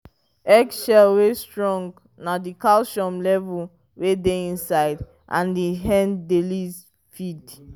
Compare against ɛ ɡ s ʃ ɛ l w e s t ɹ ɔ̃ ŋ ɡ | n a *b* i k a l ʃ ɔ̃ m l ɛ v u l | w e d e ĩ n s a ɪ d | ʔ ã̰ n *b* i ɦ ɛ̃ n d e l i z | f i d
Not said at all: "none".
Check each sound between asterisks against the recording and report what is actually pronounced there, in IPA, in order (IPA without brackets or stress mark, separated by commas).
d, d